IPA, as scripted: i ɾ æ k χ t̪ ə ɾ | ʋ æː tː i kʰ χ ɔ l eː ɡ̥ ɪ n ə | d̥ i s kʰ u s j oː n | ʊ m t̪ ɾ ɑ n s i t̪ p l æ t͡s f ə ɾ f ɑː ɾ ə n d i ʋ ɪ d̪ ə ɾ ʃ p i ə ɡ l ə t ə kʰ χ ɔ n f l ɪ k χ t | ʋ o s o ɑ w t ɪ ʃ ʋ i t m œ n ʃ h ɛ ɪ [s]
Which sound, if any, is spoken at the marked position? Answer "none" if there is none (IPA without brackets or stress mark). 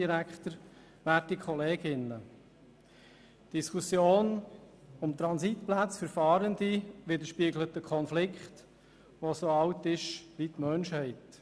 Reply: t